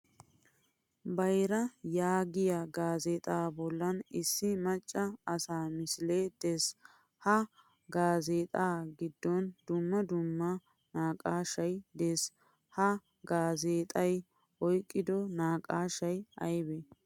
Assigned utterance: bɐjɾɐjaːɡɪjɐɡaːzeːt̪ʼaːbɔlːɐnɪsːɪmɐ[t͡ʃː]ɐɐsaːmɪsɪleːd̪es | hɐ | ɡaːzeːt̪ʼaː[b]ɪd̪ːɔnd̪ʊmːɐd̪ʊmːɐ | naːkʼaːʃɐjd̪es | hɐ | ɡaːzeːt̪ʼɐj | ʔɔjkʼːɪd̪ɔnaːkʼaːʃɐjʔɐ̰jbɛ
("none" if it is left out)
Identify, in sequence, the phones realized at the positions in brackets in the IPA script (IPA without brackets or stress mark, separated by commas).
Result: t͡ʃʼː, ɡ